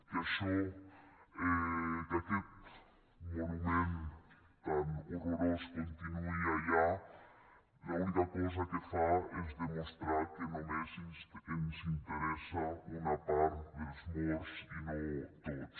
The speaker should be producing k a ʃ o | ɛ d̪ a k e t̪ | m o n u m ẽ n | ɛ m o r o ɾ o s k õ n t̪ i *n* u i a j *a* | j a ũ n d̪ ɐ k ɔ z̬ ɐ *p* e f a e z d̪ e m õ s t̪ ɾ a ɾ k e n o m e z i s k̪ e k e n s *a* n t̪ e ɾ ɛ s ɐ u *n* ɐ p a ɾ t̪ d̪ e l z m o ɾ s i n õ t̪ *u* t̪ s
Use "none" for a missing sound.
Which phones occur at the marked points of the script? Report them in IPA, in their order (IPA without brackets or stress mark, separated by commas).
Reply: n, a, k, i, n, o